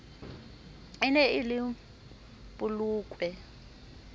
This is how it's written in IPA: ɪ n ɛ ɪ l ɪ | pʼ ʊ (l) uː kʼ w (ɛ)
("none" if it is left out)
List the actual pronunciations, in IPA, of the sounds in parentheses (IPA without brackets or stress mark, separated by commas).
l, ɛ